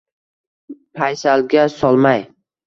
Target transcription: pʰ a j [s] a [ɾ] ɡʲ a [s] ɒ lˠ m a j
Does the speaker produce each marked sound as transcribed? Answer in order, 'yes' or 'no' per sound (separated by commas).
yes, no, yes